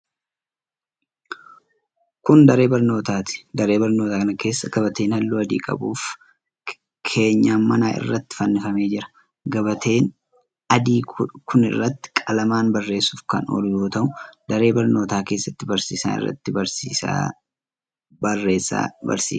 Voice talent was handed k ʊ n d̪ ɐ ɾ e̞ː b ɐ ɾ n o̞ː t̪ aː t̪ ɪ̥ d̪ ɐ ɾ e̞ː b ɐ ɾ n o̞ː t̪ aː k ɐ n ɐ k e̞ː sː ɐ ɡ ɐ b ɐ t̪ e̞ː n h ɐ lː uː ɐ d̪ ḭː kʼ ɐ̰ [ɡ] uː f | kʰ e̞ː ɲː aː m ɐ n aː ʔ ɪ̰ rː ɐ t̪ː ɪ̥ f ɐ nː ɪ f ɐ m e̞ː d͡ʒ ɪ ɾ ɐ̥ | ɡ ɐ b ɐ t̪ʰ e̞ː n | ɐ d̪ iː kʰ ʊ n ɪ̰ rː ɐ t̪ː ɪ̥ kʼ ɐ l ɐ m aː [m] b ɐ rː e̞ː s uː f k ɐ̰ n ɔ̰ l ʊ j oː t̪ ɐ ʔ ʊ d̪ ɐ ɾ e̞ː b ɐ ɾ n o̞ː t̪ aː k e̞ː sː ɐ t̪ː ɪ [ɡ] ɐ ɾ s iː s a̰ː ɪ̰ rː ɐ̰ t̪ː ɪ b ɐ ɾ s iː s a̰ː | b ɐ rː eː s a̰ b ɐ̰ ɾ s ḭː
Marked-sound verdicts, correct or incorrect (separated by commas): incorrect, incorrect, incorrect